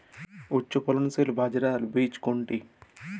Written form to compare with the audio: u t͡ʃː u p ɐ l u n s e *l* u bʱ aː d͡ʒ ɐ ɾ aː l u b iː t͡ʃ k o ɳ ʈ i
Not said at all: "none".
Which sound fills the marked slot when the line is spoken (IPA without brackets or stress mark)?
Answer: l